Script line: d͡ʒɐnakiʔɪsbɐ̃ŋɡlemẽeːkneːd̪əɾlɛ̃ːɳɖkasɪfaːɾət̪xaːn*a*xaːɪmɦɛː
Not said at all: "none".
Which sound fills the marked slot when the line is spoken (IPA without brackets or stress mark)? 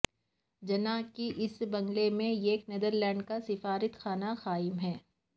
a